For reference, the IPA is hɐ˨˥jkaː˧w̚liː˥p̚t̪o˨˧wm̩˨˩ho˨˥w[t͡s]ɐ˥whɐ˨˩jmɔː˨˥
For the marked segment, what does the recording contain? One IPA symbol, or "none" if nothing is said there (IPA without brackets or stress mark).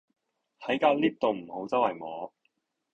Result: t͡s